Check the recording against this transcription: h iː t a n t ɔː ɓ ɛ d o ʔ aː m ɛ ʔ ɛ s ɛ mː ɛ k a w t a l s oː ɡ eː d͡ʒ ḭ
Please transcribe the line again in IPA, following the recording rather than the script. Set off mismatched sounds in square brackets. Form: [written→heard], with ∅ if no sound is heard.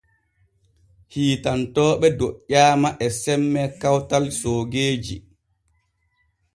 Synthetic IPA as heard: h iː t a n t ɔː ɓ ɛ d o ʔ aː m [ɛ→a] ʔ ɛ s ɛ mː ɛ k a w t a l s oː ɡ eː d͡ʒ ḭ